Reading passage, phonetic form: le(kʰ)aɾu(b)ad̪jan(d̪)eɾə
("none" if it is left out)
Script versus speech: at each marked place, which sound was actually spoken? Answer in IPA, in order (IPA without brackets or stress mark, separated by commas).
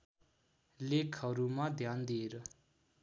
kʰ, m, d̪